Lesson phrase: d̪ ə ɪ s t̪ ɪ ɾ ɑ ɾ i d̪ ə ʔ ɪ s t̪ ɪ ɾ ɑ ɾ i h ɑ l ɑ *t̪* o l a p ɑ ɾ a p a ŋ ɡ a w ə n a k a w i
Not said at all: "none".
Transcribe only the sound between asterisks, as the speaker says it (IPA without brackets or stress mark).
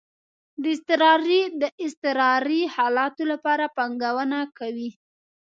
t̪